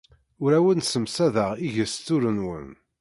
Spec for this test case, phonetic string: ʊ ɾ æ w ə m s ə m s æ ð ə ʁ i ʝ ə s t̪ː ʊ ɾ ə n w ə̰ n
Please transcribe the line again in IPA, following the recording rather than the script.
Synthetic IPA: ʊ ɾ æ w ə n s ə m s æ ð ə ʁ i ʝ ə s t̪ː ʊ ɾ ə n w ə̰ n